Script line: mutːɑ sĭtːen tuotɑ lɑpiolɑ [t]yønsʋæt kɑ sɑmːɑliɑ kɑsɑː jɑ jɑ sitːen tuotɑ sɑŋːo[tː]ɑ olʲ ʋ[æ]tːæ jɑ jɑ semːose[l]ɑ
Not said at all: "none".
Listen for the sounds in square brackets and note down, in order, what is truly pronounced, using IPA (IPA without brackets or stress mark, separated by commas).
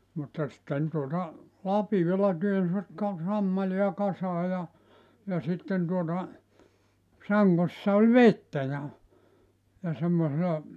t, sː, e, l